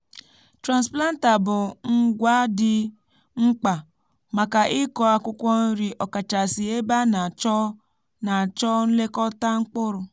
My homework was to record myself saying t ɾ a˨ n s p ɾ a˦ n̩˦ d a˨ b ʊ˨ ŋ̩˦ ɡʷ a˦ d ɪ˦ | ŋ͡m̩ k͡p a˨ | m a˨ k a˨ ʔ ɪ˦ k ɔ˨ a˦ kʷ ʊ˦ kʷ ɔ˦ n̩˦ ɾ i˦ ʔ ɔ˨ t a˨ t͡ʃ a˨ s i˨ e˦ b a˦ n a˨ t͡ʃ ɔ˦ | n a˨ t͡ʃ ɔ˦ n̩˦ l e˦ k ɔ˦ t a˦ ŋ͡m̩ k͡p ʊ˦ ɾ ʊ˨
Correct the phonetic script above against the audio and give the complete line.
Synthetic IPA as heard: t ɾ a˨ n s p l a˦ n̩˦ t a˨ b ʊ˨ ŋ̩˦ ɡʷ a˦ d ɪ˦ | ŋ͡m̩ k͡p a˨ | m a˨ k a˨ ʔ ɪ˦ k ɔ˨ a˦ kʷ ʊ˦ kʷ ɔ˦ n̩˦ ɾ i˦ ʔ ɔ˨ k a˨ t͡ʃ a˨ s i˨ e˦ b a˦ n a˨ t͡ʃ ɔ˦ | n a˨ t͡ʃ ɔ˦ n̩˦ l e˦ k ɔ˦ t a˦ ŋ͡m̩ k͡p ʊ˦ ɾ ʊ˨